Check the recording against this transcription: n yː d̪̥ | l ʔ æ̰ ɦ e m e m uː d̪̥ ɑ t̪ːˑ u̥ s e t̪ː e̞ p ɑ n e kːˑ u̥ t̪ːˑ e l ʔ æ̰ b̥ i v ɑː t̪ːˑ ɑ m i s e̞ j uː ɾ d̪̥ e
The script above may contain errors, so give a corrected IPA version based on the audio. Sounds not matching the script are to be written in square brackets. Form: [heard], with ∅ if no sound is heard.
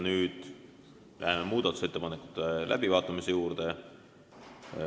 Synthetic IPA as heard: n yː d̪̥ | l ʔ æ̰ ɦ e m e m uː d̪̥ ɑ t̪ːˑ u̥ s e t̪ː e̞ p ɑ n e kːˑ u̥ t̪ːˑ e l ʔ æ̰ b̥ i v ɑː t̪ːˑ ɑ m i s e̞ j uː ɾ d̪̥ e